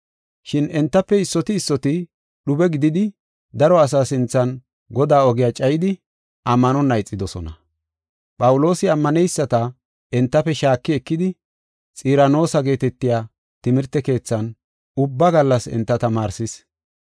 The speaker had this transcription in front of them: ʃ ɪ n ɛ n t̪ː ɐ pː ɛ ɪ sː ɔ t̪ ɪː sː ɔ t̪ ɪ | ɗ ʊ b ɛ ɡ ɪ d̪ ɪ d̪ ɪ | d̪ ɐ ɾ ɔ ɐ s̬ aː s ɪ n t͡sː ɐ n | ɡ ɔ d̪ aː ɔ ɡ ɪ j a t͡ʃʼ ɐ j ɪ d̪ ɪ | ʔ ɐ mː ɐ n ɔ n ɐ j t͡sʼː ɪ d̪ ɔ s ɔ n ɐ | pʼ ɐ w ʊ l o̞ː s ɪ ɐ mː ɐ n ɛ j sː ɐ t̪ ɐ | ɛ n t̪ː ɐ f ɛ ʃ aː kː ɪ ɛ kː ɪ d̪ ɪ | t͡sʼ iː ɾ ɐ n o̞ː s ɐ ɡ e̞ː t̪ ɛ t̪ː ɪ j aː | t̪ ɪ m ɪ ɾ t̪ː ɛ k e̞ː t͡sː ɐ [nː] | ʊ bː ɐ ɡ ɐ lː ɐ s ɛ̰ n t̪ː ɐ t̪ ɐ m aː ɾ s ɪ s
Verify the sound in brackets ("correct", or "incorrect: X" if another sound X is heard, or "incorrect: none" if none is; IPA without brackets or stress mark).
incorrect: n